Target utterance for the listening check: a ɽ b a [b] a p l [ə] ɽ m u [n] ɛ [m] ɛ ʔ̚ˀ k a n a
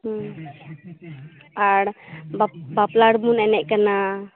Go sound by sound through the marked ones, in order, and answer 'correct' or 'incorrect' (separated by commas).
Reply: correct, incorrect, correct, incorrect